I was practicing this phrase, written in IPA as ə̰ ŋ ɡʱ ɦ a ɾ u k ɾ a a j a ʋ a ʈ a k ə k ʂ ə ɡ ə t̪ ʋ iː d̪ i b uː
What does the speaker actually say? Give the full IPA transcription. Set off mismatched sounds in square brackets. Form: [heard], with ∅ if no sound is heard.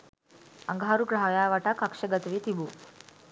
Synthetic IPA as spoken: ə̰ ŋ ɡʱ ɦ a ɾ u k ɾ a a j a ʋ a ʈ a k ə k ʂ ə ɡ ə t̪ ʋ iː [t̪] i b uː